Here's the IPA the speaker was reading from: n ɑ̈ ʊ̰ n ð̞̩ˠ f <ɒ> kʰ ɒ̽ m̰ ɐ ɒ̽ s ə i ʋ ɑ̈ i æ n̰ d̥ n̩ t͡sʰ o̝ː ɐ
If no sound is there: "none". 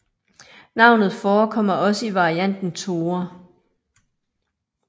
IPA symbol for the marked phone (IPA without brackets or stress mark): ɒː